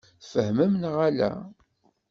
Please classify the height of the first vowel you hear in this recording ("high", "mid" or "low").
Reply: mid